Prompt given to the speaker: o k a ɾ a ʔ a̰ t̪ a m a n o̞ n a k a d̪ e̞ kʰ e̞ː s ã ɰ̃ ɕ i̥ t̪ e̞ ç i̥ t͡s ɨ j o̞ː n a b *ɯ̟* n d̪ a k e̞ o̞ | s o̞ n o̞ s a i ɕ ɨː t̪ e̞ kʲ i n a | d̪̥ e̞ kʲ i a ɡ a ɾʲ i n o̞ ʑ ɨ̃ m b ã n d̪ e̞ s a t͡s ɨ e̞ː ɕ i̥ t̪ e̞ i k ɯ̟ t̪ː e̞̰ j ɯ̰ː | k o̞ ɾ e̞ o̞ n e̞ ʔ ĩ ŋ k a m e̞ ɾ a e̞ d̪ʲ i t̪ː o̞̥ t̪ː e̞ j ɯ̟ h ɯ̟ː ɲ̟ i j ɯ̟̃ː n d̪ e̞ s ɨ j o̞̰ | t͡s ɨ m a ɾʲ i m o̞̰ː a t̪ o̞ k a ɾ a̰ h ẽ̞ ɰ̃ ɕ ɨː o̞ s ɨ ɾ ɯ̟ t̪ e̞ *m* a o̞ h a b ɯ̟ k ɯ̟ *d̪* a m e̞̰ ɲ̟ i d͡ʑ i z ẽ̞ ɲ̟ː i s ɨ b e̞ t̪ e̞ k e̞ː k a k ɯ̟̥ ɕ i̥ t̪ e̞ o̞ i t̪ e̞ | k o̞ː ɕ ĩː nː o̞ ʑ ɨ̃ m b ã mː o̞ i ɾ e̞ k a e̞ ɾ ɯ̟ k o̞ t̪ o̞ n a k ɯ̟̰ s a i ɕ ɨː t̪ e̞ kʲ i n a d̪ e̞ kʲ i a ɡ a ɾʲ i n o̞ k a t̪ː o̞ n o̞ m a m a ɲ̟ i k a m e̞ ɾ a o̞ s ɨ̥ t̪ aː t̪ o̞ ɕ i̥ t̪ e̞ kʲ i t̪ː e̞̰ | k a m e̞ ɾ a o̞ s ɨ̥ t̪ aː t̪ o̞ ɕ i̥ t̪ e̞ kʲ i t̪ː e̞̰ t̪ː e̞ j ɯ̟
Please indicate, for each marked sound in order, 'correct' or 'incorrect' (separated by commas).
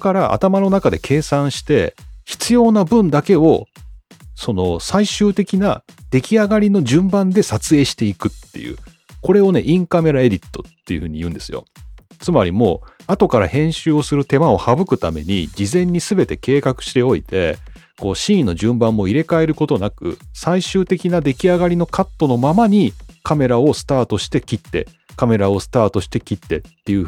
incorrect, correct, incorrect